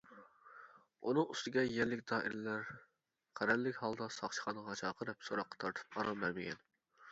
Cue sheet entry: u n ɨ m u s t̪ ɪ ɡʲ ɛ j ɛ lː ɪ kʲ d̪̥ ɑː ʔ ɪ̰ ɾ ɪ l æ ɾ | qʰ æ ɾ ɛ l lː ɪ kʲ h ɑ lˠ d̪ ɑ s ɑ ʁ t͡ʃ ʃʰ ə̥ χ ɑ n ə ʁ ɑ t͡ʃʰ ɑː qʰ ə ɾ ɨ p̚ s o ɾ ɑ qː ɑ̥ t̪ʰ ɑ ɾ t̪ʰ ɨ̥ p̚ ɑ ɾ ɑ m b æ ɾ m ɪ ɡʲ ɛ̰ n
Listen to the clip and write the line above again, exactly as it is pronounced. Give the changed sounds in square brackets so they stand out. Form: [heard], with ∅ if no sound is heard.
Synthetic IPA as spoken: u n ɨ [ŋ] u s t̪ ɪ ɡʲ ɛ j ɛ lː ɪ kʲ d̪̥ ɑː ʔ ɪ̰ ɾ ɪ l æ ɾ | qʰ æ ɾ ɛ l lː ɪ kʲ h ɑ lˠ d̪ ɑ s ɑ [χ] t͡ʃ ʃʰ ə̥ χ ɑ n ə ʁ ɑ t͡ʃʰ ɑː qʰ ə ɾ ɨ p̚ s o ɾ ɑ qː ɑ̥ t̪ʰ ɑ ɾ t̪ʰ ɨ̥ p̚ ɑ ɾ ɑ m b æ ɾ m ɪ ɡʲ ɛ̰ n